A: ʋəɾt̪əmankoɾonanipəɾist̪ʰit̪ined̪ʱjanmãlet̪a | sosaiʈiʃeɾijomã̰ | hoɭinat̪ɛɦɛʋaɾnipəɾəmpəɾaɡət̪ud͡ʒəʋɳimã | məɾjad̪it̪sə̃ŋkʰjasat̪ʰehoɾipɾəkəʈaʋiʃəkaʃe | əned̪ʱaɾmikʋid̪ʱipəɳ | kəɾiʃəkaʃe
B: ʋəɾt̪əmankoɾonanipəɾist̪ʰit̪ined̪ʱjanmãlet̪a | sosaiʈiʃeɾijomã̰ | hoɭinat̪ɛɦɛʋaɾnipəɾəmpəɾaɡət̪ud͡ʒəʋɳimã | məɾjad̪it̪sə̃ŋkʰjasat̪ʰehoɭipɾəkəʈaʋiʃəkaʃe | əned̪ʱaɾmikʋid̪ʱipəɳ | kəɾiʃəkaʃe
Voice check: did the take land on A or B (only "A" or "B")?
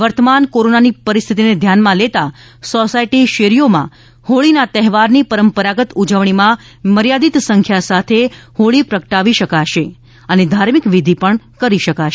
B